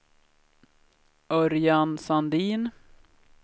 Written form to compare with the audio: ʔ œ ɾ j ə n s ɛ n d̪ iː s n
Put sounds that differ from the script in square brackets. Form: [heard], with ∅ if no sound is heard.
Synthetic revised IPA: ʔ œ ɾ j [a] n s [a] n d̪ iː [∅] n